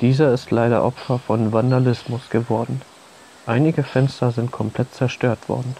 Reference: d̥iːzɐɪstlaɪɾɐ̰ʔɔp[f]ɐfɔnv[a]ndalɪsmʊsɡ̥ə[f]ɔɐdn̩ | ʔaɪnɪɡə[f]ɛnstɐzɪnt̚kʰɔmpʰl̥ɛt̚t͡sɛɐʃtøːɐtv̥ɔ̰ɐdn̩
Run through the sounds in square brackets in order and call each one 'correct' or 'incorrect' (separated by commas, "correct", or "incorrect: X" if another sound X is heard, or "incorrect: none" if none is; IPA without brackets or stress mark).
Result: correct, correct, incorrect: v, correct